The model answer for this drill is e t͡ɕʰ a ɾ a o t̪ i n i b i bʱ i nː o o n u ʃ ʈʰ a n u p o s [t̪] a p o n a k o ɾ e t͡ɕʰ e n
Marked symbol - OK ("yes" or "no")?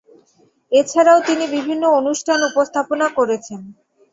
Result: no